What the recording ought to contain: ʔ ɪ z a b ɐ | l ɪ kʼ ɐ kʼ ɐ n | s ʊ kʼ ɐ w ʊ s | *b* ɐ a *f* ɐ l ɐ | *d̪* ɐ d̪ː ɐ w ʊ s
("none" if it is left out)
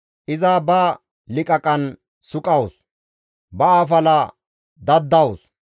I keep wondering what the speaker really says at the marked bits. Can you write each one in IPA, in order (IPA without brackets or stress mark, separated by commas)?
b, f, d̪